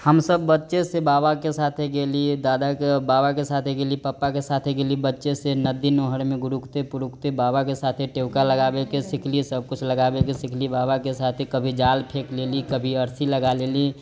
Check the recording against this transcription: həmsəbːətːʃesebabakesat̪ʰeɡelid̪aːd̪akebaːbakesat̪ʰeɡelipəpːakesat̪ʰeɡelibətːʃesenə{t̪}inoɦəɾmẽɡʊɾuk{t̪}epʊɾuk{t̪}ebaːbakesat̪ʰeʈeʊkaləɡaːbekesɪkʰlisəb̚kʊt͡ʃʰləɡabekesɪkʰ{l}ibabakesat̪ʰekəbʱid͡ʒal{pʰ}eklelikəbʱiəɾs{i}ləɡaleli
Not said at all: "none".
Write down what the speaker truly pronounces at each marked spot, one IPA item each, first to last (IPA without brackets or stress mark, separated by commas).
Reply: d̪, t̪, t̪, l, pʰ, i